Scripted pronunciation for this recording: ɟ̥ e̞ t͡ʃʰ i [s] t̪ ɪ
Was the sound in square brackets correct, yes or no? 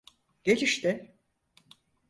no